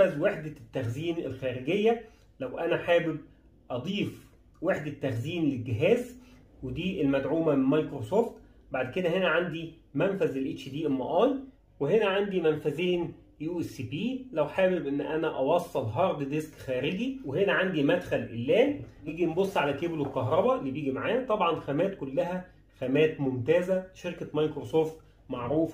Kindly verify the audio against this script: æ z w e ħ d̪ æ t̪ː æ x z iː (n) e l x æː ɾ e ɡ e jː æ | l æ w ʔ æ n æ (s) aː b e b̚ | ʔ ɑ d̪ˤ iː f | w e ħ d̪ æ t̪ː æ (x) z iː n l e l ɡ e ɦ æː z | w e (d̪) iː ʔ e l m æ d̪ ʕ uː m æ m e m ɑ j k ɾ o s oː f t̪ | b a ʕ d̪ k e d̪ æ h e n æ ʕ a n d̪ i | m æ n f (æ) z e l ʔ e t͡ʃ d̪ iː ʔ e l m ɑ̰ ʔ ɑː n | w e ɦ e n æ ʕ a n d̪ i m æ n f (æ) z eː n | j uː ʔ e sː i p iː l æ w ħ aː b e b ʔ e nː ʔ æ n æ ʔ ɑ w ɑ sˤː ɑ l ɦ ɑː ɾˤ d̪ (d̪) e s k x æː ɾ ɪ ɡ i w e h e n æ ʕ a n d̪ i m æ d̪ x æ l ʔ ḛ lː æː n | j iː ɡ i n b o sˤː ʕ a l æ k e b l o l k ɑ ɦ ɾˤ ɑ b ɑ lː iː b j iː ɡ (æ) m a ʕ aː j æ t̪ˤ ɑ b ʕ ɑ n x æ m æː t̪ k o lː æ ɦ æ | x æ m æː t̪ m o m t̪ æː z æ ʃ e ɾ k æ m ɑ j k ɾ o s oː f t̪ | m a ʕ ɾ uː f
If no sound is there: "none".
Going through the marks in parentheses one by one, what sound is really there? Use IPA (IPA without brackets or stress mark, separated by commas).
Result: n, ħ, x, d̪, æ, æ, d̪, i